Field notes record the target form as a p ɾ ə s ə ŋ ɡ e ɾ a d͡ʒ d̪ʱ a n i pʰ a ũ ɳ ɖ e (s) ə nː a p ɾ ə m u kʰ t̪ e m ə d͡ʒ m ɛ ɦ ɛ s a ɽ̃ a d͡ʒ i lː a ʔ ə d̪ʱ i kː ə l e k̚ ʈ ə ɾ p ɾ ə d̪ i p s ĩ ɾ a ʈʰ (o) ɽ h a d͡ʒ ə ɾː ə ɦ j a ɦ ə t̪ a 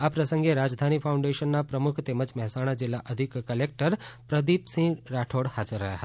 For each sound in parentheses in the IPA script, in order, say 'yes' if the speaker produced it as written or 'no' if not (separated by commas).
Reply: no, yes